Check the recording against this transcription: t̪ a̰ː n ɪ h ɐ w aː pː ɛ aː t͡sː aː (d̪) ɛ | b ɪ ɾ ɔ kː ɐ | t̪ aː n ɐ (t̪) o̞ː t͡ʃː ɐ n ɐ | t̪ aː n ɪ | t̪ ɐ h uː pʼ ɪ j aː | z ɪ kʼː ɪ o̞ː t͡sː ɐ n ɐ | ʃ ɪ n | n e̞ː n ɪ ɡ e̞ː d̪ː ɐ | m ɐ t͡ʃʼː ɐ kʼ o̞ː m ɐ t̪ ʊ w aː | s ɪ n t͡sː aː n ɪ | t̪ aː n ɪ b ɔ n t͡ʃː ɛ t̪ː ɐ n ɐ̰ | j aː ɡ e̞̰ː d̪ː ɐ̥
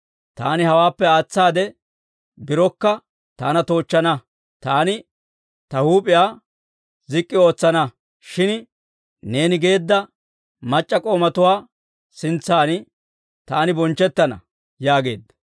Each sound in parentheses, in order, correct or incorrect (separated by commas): correct, correct